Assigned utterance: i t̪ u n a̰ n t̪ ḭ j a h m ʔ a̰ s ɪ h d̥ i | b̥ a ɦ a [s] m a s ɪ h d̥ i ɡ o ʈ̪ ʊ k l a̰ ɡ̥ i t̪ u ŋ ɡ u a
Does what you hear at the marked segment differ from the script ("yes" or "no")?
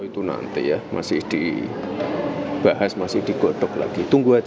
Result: no